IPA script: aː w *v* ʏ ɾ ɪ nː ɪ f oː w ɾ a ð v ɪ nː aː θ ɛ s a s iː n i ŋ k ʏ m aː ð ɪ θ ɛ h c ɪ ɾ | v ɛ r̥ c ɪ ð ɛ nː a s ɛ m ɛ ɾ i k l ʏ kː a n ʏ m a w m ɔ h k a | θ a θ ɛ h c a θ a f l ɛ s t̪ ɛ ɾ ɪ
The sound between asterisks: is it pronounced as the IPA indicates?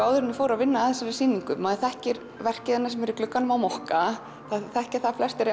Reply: no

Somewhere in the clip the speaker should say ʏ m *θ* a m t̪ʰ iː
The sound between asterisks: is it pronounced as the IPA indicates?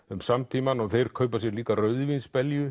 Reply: no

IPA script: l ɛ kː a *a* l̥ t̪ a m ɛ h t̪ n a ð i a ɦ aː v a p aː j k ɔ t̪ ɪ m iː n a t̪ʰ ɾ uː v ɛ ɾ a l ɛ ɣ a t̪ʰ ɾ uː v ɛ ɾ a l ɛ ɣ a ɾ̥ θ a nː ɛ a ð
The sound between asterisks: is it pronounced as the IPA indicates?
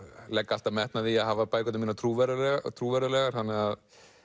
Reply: yes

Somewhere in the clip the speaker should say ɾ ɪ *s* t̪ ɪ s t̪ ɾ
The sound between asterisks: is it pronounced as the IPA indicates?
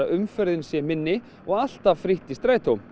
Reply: no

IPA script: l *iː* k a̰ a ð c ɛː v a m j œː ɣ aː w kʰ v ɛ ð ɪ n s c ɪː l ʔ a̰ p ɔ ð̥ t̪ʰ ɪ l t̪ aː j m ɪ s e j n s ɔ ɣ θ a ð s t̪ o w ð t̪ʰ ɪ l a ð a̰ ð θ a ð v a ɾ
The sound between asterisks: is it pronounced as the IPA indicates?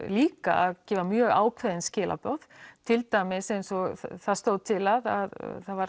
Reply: yes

